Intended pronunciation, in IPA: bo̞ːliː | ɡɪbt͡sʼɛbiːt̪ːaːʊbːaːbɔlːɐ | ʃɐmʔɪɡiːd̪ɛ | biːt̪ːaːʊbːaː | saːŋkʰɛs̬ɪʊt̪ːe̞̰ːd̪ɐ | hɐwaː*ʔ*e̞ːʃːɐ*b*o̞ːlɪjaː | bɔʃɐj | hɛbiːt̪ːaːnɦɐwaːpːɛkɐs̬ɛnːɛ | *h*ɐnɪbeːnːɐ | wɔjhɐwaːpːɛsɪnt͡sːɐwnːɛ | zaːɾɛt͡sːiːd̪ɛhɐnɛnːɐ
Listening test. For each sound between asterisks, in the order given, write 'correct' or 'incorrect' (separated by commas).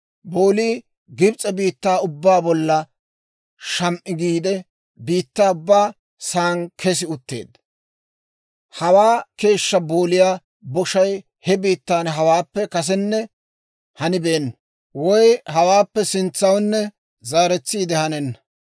incorrect, correct, correct